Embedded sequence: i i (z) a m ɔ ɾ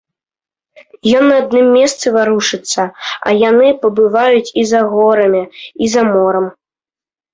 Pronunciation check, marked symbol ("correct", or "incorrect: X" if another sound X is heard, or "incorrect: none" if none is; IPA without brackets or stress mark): correct